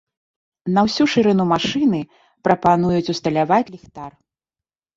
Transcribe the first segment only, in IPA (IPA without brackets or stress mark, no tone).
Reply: n